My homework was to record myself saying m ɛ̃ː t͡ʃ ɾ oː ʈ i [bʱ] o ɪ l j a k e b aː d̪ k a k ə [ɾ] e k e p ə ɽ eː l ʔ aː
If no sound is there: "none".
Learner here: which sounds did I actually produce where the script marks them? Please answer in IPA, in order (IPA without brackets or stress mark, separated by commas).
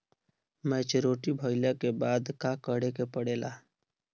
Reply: bʱ, ɽ